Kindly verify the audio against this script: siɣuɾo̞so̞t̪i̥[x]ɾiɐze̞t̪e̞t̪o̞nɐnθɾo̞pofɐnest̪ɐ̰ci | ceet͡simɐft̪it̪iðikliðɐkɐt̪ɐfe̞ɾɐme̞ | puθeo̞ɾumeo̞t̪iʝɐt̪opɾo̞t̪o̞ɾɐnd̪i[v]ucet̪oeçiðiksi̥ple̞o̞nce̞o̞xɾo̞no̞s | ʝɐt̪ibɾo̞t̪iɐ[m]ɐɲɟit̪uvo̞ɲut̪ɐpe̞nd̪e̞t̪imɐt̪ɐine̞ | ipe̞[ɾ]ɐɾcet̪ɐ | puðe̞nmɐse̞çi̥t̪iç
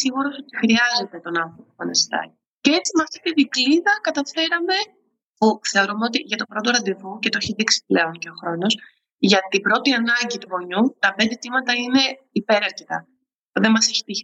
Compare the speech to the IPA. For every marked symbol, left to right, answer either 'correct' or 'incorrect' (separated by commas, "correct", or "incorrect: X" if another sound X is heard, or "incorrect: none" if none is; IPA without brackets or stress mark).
correct, correct, incorrect: n, correct